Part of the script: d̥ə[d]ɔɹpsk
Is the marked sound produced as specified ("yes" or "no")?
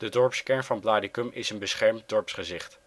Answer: yes